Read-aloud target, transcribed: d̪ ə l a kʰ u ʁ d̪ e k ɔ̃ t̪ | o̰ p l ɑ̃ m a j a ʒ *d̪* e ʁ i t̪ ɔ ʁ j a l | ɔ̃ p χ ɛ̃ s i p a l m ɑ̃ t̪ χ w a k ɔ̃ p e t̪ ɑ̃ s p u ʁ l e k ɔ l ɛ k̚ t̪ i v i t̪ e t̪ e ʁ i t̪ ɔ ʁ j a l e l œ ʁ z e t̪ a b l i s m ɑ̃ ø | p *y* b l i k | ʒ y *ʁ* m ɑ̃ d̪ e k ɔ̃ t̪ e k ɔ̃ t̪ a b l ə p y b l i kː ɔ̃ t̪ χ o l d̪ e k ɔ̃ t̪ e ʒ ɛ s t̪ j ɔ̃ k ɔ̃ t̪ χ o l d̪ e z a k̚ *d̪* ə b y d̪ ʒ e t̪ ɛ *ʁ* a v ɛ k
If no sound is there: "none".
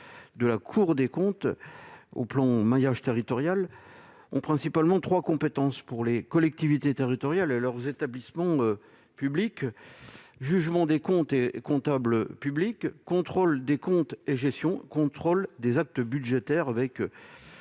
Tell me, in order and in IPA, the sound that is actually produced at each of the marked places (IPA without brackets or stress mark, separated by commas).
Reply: t̪, y, ʒ, t̪, ʁ